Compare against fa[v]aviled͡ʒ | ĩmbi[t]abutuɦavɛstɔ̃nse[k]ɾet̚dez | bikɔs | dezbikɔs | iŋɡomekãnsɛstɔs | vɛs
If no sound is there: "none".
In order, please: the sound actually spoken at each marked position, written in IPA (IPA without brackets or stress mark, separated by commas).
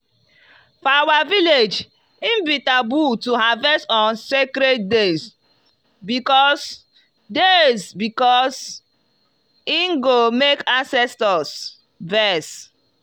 w, t, k